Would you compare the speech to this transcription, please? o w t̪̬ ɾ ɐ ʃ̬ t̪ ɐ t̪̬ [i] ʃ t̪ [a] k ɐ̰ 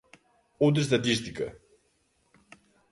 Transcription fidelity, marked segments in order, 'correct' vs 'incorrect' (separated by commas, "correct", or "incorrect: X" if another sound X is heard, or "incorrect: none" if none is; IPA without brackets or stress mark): correct, incorrect: i